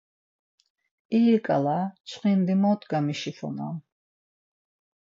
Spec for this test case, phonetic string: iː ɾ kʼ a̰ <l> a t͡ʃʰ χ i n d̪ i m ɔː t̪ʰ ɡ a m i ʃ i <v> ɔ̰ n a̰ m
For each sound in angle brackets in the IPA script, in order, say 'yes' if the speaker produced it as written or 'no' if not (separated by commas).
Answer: yes, no